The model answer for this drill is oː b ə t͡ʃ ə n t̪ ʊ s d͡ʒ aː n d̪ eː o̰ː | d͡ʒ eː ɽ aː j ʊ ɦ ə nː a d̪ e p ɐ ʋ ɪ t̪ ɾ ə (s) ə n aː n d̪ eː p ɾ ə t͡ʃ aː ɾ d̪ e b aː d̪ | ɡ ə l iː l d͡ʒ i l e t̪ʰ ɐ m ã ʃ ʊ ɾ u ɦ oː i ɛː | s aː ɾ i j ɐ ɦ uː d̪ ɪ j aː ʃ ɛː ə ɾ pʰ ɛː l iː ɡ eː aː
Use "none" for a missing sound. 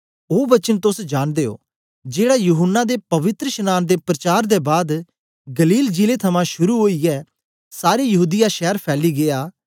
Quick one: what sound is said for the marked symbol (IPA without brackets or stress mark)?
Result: ʃ